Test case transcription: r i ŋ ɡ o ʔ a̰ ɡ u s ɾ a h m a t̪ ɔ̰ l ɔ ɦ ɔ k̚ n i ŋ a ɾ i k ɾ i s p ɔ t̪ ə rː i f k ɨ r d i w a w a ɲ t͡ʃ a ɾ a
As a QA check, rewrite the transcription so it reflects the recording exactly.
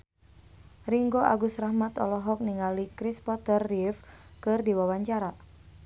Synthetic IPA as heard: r i ŋ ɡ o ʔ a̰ ɡ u s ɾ a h m a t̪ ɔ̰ l ɔ ɦ ɔ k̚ n i ŋ a l i k ɾ i s p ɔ t̪ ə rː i f k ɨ r d i w a w a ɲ t͡ʃ a ɾ a